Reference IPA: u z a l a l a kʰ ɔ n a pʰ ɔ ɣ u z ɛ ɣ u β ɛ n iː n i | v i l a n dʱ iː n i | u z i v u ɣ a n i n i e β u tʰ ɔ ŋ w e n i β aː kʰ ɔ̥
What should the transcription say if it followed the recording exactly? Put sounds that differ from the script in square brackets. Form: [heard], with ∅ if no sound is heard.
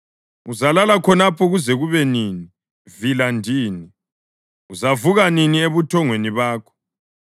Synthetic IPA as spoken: u z a l a l a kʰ ɔ n a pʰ ɔ ɣ u z ɛ ɣ u β ɛ n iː n i | v i l a n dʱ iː n i | u z [a] v u ɣ a n i n i e β u tʰ ɔ ŋ w e n i β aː kʰ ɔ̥